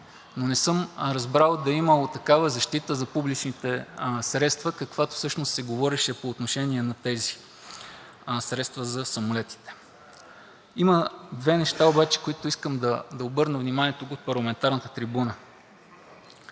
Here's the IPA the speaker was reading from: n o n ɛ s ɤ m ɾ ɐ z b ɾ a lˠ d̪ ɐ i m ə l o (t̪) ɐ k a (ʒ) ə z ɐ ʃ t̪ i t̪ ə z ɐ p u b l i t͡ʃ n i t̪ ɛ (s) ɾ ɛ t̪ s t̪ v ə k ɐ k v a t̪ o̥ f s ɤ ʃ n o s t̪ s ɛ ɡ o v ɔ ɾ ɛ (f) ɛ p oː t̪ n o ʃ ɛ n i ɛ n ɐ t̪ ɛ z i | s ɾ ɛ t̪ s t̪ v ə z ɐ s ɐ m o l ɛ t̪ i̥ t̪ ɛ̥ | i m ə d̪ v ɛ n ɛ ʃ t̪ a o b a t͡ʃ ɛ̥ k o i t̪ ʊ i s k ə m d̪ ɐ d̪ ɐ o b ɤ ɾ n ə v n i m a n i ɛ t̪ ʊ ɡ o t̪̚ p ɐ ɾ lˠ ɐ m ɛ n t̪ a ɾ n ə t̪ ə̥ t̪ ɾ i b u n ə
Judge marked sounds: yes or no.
yes, no, yes, no

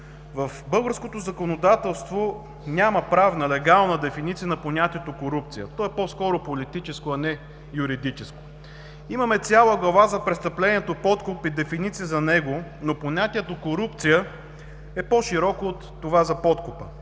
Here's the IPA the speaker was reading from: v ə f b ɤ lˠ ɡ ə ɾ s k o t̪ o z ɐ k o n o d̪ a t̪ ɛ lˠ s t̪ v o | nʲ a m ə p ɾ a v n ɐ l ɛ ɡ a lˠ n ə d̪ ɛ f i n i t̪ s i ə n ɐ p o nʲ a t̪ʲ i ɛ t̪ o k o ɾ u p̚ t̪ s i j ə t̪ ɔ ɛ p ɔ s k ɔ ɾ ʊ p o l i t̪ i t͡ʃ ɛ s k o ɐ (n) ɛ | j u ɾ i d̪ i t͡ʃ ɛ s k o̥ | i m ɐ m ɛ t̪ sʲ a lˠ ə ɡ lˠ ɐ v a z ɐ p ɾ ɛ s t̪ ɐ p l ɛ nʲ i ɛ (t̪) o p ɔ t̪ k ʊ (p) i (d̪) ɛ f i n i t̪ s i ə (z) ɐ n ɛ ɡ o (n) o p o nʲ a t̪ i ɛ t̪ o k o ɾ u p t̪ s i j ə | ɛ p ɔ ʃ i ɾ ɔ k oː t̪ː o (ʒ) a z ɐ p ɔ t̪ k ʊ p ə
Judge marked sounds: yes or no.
yes, yes, yes, yes, yes, yes, no

